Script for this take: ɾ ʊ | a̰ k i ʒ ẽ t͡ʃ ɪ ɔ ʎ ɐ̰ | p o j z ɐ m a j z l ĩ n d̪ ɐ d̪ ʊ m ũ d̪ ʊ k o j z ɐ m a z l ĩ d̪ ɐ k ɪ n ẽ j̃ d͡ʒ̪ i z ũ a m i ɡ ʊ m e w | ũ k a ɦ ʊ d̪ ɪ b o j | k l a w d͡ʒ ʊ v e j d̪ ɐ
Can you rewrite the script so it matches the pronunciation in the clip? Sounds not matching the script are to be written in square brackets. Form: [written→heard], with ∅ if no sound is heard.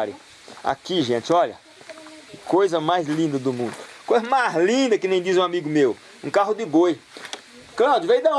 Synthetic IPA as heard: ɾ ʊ | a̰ k i ʒ ẽ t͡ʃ ɪ ɔ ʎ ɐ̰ | [p→k] o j z ɐ m a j z l ĩ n d̪ ɐ d̪ ʊ m ũ d̪ ʊ k o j z ɐ m a z l ĩ d̪ ɐ k ɪ n ẽ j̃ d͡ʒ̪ i z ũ a m i ɡ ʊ m e w | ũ k a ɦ ʊ d̪ ɪ b o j | k l a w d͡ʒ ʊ v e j d̪ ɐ